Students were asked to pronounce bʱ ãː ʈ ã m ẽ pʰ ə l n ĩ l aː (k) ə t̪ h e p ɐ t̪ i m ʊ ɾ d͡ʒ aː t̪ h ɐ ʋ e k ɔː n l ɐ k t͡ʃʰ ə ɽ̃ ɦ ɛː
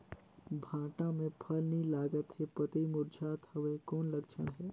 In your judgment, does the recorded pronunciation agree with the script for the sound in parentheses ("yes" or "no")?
no